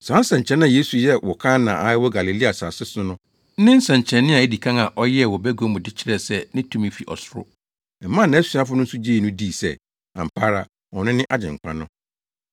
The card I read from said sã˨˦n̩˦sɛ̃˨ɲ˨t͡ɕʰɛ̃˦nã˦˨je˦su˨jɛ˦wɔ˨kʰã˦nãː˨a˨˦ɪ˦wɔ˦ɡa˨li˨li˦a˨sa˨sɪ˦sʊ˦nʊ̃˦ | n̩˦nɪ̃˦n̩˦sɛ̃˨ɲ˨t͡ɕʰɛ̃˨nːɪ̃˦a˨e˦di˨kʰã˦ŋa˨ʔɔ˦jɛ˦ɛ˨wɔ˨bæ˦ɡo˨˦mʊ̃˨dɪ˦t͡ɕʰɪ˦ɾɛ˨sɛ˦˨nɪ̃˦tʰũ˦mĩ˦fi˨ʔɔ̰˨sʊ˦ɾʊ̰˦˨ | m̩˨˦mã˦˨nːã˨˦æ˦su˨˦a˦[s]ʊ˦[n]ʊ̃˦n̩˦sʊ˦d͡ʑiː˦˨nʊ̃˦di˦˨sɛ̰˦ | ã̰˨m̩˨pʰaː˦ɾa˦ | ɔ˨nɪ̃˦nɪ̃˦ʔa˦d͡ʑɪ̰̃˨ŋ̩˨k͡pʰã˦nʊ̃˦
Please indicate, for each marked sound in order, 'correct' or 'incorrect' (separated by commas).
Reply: incorrect, correct